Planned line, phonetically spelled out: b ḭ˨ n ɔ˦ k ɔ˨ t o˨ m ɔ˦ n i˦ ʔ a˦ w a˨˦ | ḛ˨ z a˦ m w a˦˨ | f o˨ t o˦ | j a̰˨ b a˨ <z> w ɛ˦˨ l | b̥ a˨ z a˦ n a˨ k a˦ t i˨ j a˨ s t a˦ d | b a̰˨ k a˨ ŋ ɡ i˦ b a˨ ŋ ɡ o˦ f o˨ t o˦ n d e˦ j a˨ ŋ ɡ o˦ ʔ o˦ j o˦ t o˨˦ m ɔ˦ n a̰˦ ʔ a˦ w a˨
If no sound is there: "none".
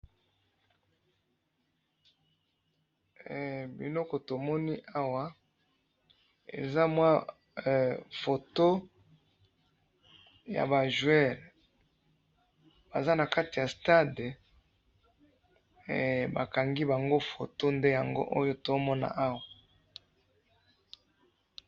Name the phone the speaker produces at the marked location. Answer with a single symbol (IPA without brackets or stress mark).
ʒ